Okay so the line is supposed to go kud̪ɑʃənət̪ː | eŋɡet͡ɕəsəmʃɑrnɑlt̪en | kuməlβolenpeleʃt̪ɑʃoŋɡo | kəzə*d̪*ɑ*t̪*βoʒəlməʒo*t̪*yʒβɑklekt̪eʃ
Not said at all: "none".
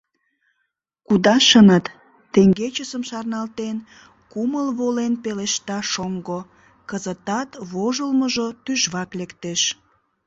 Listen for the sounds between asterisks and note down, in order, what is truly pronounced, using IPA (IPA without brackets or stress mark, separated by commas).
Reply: t̪, t̪, t̪